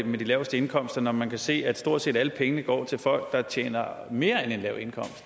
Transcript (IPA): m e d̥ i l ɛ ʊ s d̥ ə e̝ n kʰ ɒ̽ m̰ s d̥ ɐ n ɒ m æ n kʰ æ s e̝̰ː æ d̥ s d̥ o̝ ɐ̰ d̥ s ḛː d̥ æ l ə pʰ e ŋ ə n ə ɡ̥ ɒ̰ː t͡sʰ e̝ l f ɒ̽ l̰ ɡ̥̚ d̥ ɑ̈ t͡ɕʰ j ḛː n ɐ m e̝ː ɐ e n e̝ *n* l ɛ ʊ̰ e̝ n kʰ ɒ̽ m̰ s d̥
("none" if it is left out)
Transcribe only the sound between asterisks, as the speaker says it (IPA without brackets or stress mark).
n